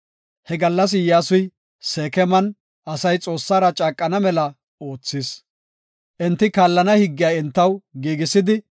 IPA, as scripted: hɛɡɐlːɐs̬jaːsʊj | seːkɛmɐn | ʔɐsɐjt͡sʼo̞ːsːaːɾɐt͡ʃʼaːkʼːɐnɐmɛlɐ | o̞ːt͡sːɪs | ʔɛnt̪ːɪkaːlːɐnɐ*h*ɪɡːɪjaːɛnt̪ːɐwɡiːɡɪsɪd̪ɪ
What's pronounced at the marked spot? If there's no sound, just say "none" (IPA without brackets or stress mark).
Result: h